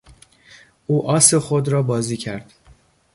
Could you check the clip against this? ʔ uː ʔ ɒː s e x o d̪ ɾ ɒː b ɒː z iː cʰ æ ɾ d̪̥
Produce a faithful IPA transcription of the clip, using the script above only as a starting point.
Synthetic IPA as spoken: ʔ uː ʔ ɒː s e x o d̪ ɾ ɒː b ɒː z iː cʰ æ ɾ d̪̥